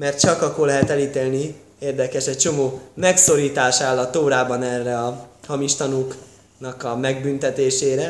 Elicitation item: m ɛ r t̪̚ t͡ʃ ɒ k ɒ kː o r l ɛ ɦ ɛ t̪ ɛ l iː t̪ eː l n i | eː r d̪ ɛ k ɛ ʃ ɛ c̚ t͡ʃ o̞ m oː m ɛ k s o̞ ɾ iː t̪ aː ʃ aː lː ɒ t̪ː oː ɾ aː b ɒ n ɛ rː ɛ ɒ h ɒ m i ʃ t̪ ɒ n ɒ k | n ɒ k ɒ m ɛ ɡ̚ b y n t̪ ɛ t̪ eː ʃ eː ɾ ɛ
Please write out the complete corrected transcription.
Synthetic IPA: m ɛ r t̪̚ t͡ʃ ɒ k ɒ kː o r l ɛ ɦ ɛ t̪ ɛ l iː t̪ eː l n i | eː r d̪ ɛ k ɛ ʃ ɛ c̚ t͡ʃ o̞ m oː m ɛ k s o̞ ɾ iː t̪ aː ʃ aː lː ɒ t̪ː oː ɾ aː b ɒ n ɛ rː ɛ ɒ h ɒ m i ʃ t̪ ɒ n u k | n ɒ k ɒ m ɛ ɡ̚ b y n t̪ ɛ t̪ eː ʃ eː ɾ ɛ